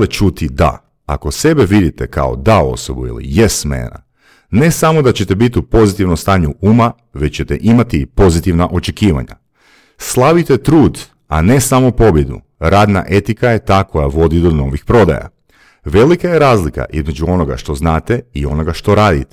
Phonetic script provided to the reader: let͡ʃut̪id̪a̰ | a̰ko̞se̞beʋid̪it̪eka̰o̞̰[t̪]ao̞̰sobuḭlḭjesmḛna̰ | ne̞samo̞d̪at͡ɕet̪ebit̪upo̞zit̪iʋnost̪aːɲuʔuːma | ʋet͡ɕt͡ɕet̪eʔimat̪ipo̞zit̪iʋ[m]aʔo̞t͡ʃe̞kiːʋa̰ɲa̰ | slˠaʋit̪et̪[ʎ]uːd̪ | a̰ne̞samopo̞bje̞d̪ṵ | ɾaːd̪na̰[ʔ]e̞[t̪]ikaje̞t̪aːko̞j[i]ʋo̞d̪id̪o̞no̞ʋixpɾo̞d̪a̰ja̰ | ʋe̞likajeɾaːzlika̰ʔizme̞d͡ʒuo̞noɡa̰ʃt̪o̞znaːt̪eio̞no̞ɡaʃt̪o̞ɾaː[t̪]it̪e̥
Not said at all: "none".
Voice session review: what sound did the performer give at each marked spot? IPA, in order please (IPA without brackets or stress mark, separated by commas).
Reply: d̪, n, ɾ, ʔ, t̪, a, d̪